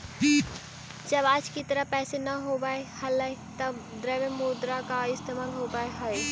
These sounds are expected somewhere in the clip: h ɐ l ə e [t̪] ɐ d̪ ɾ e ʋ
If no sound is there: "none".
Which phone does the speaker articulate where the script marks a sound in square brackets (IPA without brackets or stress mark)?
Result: t̪